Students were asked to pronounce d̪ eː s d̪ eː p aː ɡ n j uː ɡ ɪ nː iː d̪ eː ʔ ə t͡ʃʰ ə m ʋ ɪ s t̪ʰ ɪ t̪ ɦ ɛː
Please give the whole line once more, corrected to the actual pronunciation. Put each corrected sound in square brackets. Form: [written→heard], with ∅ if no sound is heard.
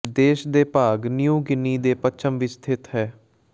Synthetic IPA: d̪ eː [s→ʃ] d̪ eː p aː ɡ n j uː ɡ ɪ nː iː d̪ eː [ʔ→p] ə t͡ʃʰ ə m ʋ ɪ s t̪ʰ ɪ t̪ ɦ ɛː